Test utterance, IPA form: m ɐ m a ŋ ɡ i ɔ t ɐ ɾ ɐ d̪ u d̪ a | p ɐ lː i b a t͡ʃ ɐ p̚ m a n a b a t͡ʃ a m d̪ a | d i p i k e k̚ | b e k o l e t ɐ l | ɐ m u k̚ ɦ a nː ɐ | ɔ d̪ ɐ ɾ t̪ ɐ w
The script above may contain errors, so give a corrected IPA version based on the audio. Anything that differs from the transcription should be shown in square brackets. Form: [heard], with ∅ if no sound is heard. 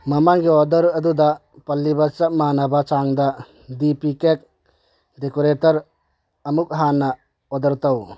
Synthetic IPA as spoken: m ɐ m a ŋ ɡ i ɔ [d] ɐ ɾ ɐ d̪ u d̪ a | p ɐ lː i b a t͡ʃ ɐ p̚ m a n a b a t͡ʃ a [ŋ] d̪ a | d i p i k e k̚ | [d] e k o [ɾ] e t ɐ [ɾ] | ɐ m u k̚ ɦ a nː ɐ | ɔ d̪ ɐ ɾ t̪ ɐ w